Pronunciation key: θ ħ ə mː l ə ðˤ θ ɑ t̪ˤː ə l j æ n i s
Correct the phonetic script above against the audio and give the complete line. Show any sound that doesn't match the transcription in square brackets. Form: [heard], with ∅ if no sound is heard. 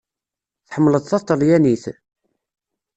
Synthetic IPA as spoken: θ ħ ə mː l ə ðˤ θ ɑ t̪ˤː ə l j æ n i [θ]

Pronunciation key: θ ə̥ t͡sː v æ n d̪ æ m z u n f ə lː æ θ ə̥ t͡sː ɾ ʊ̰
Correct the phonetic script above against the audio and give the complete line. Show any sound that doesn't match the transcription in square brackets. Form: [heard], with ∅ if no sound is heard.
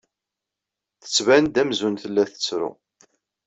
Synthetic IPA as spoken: θ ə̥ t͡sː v æ n d̪ æ m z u n [θ] ə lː æ θ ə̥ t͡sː ɾ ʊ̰

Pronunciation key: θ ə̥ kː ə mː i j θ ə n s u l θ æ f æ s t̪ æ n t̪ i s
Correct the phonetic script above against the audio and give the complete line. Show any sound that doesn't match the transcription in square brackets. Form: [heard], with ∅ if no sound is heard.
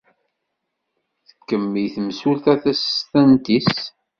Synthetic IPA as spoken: θ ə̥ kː ə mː i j θ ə [m] s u l θ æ [θ] æ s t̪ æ n t̪ i s

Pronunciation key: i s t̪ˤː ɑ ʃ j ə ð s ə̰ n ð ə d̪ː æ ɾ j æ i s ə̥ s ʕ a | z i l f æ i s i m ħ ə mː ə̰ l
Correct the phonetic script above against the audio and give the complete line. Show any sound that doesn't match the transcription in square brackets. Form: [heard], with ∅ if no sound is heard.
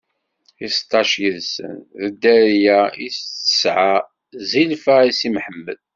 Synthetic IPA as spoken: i s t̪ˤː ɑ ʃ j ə ð s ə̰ n ð ə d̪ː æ ɾ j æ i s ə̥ s ʕ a | z i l f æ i s i m ħ ə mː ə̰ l

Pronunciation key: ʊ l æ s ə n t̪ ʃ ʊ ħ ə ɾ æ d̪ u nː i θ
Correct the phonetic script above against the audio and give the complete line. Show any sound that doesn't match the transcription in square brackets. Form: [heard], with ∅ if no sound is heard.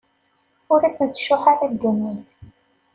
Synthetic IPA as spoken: ʊ [ɾ] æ s ə n t̪ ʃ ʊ ħ [a] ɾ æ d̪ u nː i θ

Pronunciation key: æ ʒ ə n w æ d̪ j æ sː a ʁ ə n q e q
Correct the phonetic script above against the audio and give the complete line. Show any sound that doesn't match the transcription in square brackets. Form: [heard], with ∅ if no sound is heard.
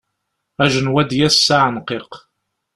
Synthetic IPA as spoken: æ ʒ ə n w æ d̪ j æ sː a [ʕ] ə n q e q

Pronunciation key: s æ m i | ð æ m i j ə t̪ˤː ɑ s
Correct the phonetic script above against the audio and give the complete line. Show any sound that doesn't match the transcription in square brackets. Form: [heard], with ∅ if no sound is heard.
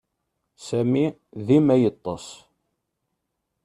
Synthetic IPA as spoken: s æ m i | ð [i] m [æ] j ə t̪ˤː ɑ s

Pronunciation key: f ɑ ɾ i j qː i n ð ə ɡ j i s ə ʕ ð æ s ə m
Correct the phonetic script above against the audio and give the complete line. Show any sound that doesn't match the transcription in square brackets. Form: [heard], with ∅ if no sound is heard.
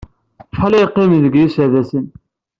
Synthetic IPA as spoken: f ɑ [l] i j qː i [m] ð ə ɡ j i s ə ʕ ð æ s ə [n]

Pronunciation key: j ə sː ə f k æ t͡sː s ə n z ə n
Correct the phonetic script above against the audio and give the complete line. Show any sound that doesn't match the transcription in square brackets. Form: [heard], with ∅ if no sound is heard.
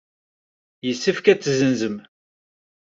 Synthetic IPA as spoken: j ə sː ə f k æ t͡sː [z] ə n z ə [m]

